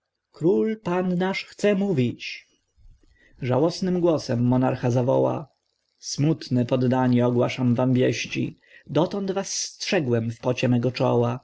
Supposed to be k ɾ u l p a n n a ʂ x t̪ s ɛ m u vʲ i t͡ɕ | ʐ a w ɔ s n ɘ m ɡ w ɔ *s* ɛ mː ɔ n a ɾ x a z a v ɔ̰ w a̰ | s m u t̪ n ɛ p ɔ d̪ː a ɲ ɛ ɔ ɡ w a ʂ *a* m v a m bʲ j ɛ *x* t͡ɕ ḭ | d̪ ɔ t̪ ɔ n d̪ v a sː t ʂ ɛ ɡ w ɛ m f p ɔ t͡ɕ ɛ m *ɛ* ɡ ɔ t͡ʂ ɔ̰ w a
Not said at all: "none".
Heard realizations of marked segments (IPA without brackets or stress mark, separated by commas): s, a, ɕ, ɛ